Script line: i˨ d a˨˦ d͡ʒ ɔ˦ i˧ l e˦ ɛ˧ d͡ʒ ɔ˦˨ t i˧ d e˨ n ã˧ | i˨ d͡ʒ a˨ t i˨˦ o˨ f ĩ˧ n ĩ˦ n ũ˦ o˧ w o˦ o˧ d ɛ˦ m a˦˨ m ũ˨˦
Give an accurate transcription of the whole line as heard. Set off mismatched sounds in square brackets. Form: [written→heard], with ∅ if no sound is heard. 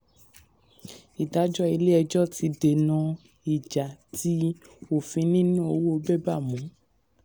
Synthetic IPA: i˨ d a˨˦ d͡ʒ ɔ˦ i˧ l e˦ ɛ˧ d͡ʒ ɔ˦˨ t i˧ d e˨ n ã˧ | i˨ d͡ʒ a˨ t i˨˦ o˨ f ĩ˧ n ĩ˦ n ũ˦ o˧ w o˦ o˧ [d→b] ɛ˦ [m→b] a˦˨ m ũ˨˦